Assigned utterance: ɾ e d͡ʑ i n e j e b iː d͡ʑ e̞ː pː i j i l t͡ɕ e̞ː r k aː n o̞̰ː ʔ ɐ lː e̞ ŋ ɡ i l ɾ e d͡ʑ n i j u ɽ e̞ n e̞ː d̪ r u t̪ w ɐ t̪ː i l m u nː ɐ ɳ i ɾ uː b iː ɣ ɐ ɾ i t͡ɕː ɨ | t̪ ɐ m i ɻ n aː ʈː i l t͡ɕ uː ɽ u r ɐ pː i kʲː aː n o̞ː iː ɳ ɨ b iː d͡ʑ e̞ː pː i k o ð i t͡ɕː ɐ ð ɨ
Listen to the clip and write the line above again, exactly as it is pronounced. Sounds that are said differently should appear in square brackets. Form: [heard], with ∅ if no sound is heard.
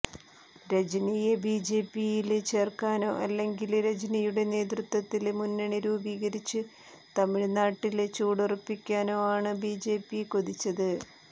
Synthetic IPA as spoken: ɾ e d͡ʑ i n [i] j e b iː d͡ʑ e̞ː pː i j i l t͡ɕ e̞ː r k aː n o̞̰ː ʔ ɐ lː e̞ ŋ ɡ i l ɾ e d͡ʑ n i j u ɽ e̞ n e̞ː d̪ r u t̪ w ɐ t̪ː i l m u nː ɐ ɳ i ɾ uː b iː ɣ ɐ ɾ i t͡ɕː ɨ | t̪ ɐ m i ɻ n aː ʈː i l t͡ɕ uː ɽ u r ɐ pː i kʲː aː n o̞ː [aː] ɳ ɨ b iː d͡ʑ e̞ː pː i k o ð i t͡ɕː ɐ ð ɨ